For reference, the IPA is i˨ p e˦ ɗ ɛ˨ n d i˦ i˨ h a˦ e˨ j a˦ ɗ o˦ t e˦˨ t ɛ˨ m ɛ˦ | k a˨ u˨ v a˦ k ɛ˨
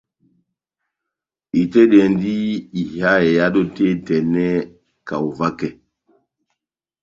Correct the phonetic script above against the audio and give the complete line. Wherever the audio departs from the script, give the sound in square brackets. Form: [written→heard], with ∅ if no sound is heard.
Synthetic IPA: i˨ [p→t] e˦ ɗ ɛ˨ n d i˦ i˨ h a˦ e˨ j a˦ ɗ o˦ t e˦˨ t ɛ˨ [m→n] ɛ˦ | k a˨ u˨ v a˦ k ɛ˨